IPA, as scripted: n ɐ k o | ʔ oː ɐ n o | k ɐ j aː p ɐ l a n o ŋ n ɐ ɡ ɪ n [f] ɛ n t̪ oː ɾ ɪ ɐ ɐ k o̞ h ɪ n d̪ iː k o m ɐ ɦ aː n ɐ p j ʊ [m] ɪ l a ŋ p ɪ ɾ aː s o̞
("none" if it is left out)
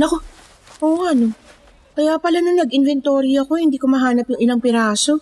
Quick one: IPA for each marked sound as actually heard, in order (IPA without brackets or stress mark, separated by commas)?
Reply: v, ŋ